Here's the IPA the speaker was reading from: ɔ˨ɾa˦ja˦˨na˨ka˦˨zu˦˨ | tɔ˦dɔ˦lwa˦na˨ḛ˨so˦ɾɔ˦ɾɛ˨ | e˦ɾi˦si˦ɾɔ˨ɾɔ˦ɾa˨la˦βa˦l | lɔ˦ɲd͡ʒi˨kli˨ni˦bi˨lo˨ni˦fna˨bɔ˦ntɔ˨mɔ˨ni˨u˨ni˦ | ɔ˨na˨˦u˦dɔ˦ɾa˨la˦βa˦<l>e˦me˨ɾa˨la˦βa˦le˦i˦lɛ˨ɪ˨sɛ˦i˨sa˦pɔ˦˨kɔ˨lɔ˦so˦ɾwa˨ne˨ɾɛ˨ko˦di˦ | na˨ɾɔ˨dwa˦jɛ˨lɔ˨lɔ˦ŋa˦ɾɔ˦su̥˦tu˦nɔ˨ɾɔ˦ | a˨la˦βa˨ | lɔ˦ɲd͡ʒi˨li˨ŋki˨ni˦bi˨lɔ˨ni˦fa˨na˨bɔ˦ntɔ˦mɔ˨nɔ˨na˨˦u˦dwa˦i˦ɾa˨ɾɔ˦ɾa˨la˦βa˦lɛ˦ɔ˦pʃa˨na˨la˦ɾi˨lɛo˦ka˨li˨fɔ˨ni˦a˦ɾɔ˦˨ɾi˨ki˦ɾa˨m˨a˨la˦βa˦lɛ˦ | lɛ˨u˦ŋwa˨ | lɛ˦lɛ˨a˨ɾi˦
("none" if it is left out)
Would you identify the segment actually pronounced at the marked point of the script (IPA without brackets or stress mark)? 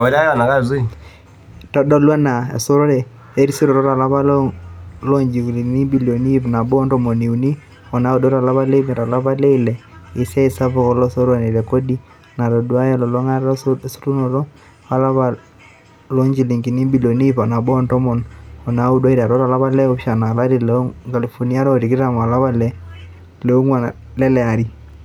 l